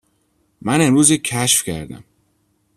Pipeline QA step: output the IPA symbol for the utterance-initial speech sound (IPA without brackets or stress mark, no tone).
m